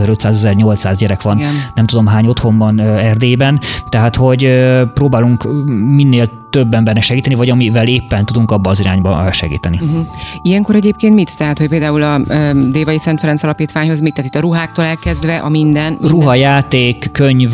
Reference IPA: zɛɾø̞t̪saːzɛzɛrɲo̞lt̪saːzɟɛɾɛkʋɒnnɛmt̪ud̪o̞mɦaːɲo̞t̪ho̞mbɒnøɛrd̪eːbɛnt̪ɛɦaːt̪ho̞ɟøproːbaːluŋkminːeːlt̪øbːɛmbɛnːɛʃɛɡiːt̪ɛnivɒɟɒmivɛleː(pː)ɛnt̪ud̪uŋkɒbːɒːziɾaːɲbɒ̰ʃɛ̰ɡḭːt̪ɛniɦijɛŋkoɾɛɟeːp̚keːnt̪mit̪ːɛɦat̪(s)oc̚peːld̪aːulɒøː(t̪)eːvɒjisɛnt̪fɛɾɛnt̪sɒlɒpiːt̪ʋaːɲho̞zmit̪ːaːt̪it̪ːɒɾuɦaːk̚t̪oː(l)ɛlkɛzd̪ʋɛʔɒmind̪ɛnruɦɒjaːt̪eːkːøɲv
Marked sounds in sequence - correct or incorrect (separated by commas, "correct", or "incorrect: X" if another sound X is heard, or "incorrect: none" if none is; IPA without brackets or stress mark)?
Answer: correct, incorrect: h, incorrect: d̪, correct